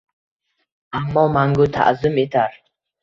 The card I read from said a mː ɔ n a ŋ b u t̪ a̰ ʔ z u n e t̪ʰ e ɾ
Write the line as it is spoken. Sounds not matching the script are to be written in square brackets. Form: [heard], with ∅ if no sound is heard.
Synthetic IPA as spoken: a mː ɔ [m] a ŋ [ɡ] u [t̪ʰ] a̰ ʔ z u [m] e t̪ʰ [a] ɾ